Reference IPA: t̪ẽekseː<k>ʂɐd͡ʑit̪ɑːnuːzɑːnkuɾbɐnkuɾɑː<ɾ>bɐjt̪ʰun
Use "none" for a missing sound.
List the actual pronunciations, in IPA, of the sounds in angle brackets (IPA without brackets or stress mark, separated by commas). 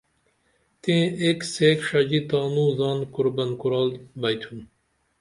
k, l